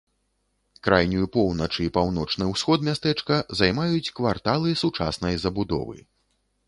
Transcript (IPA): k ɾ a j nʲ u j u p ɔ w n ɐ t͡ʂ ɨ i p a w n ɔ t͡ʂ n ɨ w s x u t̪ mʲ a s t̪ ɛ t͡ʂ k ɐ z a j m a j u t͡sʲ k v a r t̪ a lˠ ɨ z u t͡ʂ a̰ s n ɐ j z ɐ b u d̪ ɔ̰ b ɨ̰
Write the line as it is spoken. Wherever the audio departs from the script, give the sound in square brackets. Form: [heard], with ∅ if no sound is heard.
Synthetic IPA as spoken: k ɾ a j nʲ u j u p ɔ w n ɐ t͡ʂ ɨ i p a w n ɔ t͡ʂ n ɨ w s x [ɔ] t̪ mʲ a s t̪ ɛ t͡ʂ k ɐ z a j m a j u t͡sʲ k v a r t̪ a lˠ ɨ [s] u t͡ʂ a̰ s n ɐ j z ɐ b u d̪ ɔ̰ [v] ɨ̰